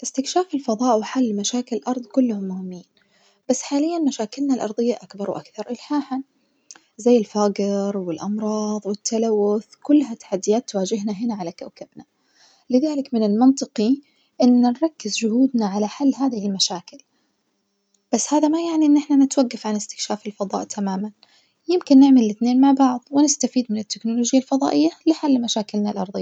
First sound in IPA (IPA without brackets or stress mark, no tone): ʔ